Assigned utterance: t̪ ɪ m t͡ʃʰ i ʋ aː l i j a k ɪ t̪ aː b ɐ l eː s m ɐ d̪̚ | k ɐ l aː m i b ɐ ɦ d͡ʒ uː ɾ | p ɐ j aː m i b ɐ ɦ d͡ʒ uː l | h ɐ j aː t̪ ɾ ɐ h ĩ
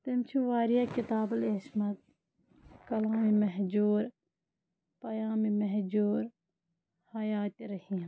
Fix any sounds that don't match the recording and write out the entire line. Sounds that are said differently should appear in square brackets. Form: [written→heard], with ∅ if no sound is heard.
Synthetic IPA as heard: t̪ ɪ m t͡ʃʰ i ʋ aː [l→ɾ] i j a k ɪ t̪ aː b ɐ l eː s m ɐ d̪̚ | k ɐ l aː m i [b→m] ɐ ɦ d͡ʒ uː ɾ | p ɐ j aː m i [b→m] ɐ ɦ d͡ʒ uː [l→ɾ] | h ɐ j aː t̪ ɾ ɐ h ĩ

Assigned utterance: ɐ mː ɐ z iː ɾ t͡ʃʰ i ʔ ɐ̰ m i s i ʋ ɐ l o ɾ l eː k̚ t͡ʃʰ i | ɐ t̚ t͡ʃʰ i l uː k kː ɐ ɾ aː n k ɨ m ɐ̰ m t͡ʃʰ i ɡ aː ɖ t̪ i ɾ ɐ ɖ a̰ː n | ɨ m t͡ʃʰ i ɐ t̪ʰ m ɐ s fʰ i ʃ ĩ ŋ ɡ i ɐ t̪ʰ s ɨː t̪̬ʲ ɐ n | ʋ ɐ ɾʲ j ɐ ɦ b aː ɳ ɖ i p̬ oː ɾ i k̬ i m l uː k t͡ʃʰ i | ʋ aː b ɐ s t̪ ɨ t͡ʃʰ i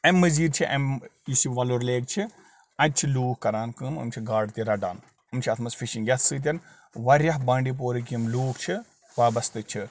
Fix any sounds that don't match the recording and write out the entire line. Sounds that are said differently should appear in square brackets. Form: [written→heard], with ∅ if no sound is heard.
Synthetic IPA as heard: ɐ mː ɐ z iː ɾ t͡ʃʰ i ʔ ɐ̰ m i s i ʋ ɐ l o ɾ l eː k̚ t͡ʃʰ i | ɐ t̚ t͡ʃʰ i l uː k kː ɐ ɾ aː n k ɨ m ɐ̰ m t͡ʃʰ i ɡ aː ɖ t̪ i ɾ ɐ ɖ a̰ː n | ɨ m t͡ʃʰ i ɐ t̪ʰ m ɐ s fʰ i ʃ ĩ ŋ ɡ [i→j] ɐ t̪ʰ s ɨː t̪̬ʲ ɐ n | ʋ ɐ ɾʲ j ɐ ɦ b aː ɳ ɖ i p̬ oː ɾ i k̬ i m l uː k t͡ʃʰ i | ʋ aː b ɐ s t̪ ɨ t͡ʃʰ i

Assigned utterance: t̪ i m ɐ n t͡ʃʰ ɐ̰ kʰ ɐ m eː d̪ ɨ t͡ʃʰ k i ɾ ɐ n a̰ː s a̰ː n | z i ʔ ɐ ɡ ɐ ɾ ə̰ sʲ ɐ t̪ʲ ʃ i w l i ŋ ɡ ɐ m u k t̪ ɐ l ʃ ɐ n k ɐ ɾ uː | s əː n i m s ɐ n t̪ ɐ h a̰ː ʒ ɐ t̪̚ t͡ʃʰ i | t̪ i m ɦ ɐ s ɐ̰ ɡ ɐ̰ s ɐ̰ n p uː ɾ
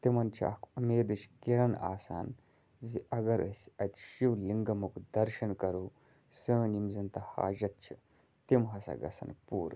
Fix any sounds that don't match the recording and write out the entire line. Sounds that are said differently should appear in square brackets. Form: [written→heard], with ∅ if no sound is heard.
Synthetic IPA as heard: t̪ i m ɐ n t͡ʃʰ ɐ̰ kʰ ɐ m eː d̪ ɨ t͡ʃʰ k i ɾ ɐ n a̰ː s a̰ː n | z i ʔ ɐ ɡ ɐ ɾ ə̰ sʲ ɐ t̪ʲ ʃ i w l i ŋ ɡ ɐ m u k [t̪→d̪] ɐ [l→ɾ] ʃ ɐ n k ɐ ɾ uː | s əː n i m [s→z] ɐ n t̪ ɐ h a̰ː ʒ ɐ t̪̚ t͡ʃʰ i | t̪ i m ɦ ɐ s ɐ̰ ɡ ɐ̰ s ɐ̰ n p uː ɾ

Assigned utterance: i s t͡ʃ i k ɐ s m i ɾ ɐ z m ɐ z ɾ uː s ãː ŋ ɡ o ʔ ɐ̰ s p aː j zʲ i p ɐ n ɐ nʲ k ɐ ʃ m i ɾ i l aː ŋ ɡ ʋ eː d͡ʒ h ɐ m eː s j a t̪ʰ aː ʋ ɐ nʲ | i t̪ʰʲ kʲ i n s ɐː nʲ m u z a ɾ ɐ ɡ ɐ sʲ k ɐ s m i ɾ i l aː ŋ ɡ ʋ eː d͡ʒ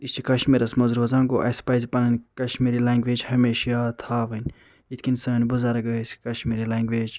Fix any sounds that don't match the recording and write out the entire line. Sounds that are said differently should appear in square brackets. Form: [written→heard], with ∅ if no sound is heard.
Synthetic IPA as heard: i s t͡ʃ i k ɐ [s→ʃ] m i ɾ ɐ [z→s] m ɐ z ɾ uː [s→z] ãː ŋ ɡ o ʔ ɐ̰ s p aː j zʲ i p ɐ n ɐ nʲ k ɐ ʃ m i ɾ i l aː ŋ ɡ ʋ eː d͡ʒ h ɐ m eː [s→ʃ] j a t̪ʰ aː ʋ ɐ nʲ | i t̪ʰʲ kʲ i n s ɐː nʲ [m→b] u z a ɾ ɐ ɡ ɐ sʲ k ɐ [s→ʃ] m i ɾ i l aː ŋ ɡ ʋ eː d͡ʒ

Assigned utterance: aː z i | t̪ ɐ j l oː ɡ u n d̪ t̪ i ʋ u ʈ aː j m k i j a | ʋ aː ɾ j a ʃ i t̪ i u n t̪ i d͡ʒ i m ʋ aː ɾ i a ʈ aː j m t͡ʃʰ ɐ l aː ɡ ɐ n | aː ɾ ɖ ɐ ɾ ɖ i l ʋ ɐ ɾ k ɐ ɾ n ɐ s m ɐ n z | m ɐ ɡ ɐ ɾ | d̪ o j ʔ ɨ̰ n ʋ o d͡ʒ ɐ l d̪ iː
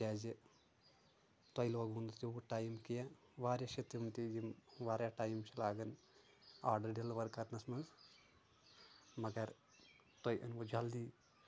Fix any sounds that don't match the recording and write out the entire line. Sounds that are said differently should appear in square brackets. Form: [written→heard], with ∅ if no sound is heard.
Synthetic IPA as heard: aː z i | t̪ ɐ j l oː ɡ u n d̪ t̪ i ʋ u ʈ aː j m k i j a | ʋ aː ɾ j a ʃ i t̪ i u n t̪ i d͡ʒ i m ʋ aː ɾ [i→j] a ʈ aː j m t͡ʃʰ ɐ l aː ɡ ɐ n | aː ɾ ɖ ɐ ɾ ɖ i l ʋ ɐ ɾ k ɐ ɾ n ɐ s m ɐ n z | m ɐ ɡ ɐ ɾ | [d̪→t̪] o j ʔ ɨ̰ n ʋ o d͡ʒ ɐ l d̪ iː

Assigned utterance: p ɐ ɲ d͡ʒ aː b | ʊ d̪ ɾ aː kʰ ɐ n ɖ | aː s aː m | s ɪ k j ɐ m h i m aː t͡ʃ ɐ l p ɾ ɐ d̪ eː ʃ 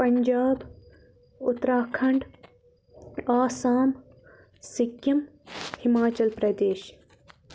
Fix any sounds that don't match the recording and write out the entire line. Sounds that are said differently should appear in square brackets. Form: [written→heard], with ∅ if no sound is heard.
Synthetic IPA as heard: p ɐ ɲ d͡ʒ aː b | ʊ [d̪→t̪] ɾ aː kʰ ɐ [n→ɳ] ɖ | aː s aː m | s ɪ k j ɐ m h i m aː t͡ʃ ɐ l p ɾ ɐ d̪ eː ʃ

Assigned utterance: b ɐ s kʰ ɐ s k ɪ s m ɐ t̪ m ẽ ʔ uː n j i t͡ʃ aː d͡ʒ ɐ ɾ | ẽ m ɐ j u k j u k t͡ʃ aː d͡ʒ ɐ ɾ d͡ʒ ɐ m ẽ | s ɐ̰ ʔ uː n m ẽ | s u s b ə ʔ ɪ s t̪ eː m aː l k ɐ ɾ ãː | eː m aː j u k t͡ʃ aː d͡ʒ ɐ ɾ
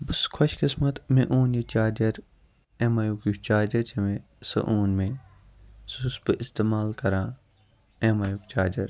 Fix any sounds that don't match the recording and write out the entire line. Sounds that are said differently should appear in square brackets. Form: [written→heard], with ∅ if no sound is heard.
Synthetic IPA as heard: b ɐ s kʰ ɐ [s→ʃ] k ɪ s m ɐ t̪ m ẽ ʔ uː n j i t͡ʃ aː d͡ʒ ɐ ɾ | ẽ m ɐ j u k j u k t͡ʃ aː d͡ʒ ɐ ɾ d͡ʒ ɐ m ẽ | s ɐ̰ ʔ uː n m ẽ | s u s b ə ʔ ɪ s t̪ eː m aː l k ɐ ɾ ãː | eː m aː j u k t͡ʃ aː d͡ʒ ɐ ɾ

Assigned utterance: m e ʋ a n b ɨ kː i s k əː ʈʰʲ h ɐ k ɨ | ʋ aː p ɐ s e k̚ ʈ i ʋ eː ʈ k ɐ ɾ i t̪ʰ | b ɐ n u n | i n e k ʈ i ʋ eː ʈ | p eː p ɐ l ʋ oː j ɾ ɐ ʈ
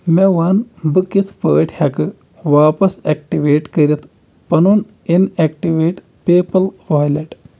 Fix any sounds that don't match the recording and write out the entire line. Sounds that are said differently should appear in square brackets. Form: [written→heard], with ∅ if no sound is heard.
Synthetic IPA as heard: m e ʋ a n b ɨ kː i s [k→p] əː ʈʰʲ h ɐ k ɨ | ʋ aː p ɐ s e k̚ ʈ i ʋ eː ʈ k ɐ ɾ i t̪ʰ | [b→p] ɐ n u n | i n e k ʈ i ʋ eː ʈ | p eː p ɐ l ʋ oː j [ɾ→l] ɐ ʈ

